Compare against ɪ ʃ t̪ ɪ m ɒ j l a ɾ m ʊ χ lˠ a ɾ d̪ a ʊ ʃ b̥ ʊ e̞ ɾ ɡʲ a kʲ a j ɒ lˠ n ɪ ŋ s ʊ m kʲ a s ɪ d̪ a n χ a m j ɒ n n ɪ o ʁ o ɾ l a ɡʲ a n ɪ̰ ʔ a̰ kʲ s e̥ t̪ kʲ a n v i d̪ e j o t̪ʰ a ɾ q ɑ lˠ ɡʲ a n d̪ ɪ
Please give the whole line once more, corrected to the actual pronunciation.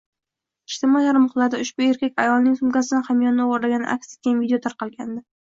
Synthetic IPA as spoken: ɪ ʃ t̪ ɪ m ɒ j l a ɾ m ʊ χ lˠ a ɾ d̪ a ʊ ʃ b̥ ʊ e̞ ɾ kʲ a kʲ a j ɒ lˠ n ɪ ŋ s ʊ m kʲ a s ɪ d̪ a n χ a m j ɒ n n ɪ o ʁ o ɾ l a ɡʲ a n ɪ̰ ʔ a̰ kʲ s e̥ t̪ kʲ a n v i d̪ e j o t̪ʰ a ɾ q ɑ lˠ ɡʲ a n d̪ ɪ